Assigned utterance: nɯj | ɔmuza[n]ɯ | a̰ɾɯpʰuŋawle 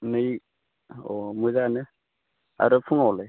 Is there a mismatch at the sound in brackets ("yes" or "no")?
no